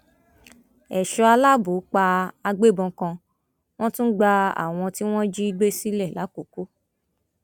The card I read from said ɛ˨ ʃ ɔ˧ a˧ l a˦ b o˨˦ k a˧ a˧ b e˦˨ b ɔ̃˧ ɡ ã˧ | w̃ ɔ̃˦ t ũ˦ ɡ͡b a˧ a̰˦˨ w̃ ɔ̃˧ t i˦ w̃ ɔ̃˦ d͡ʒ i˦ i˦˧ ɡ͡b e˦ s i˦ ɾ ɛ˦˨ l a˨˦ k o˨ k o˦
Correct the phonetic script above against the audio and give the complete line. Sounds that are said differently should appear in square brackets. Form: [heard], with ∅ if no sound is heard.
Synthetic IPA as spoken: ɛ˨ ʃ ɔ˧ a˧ l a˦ b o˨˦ [k͡p] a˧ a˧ [ɡ͡b] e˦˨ b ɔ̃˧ [k] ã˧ | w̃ ɔ̃˦ t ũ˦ ɡ͡b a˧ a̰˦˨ w̃ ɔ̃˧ t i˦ w̃ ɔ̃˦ d͡ʒ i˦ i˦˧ ɡ͡b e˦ s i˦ [l] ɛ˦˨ l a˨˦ k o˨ k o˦